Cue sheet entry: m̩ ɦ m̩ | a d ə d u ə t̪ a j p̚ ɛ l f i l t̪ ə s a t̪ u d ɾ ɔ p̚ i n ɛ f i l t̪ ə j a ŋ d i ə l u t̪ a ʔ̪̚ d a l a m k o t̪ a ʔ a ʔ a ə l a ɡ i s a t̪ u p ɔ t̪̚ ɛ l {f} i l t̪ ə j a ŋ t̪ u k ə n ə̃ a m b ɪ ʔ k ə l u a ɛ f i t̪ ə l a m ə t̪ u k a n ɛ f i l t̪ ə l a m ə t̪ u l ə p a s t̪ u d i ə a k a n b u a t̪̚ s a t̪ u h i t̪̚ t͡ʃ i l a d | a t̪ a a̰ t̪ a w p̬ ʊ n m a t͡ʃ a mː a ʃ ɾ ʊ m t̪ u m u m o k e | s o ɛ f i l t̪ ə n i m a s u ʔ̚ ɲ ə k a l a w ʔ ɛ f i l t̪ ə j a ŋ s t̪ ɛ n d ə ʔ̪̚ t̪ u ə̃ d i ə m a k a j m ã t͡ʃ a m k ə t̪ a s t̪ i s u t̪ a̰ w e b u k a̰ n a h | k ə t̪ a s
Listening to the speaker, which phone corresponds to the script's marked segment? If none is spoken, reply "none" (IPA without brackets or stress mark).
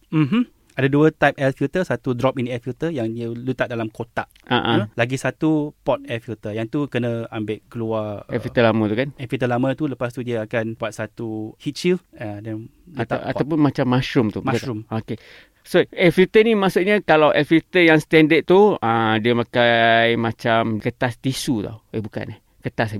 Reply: f